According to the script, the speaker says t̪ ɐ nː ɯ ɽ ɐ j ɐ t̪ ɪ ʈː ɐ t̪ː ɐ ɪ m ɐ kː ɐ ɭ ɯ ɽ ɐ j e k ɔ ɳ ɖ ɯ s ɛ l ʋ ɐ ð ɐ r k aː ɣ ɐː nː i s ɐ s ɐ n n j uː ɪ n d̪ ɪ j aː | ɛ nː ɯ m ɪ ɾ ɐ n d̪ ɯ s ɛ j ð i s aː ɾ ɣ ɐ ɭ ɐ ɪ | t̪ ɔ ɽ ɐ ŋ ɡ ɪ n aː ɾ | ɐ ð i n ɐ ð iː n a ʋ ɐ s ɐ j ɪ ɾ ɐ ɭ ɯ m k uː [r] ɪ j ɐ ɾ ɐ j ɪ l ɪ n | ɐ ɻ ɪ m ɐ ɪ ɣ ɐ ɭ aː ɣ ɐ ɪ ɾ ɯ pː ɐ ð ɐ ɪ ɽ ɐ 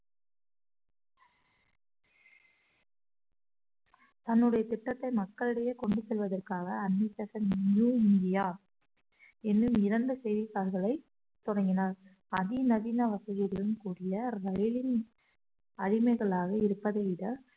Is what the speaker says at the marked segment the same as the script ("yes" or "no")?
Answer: no